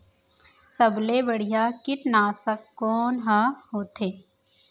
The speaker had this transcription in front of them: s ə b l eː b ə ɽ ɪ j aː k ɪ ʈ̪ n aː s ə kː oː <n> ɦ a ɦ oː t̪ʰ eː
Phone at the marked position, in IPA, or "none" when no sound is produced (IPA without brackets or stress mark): n